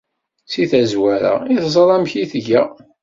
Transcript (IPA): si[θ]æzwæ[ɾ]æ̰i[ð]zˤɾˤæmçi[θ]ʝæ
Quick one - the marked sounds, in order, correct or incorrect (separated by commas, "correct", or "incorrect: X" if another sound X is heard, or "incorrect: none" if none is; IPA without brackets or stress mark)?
correct, correct, incorrect: θ, correct